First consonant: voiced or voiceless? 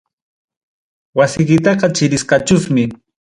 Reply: voiced